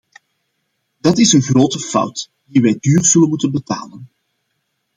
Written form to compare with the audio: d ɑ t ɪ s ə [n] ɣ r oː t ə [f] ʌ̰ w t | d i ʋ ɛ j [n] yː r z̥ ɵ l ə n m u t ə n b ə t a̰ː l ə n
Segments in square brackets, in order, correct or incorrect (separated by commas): correct, correct, incorrect